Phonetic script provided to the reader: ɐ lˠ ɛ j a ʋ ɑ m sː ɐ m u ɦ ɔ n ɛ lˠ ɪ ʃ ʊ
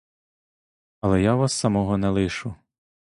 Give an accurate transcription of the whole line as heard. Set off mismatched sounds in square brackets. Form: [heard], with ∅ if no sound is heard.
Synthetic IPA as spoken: ɐ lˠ ɛ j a ʋ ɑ [∅] sː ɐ m [ɔ] ɦ ɔ n ɛ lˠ ɪ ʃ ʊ